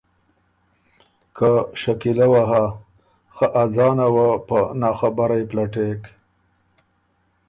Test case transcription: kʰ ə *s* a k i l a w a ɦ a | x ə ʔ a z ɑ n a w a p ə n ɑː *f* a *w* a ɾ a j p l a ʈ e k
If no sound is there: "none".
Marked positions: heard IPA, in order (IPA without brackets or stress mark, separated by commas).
ʃ, x, b